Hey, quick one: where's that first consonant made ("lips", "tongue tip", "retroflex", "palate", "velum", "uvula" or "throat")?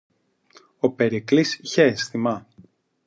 lips